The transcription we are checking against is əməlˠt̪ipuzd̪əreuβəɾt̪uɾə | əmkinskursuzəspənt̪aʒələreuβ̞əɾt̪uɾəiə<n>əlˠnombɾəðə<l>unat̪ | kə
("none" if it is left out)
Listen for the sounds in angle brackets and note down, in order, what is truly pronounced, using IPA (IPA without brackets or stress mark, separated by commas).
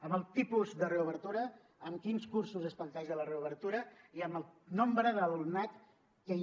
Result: m, l